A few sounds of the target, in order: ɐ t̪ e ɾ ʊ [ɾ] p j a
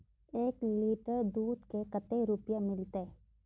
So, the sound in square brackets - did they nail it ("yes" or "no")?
no